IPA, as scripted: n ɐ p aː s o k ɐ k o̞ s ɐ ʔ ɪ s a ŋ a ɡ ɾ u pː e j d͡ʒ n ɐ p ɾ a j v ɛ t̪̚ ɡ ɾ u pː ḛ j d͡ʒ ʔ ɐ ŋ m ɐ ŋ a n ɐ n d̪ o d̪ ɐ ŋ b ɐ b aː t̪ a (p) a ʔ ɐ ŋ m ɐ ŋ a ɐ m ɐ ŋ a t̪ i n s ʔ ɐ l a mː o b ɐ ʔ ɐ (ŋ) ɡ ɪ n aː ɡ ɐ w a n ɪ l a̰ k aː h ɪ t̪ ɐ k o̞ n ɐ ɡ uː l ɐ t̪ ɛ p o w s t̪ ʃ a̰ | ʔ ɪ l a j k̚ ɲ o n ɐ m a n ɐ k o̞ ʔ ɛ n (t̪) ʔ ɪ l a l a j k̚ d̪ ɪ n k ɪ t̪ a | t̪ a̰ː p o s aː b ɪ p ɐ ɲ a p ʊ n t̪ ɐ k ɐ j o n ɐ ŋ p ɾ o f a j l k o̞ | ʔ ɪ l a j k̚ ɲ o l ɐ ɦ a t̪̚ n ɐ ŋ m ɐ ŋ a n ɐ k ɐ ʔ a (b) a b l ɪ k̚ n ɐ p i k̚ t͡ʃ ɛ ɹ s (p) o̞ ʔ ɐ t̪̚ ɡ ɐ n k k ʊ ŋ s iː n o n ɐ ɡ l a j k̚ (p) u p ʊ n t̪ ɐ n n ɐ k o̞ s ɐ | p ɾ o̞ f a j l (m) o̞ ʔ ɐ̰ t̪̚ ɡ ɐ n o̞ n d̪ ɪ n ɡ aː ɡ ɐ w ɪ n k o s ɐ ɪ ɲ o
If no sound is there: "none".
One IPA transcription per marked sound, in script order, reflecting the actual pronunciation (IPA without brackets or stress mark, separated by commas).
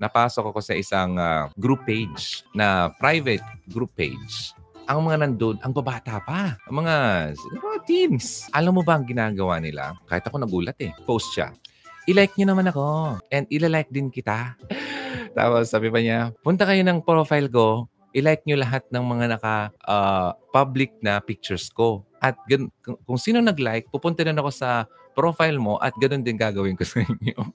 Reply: p, ŋ, d̪, p, k, p, m